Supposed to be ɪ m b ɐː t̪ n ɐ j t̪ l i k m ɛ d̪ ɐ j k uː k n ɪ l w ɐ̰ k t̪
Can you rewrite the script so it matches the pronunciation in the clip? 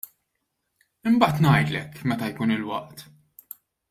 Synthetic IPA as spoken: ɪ m b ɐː t̪ n ɐ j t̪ l ɛ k m ɛ t̪ ɐ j k uː n ɪ l w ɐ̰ ʔ t̪